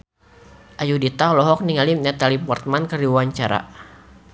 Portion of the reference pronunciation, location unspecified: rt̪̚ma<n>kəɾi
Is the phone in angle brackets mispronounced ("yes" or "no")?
no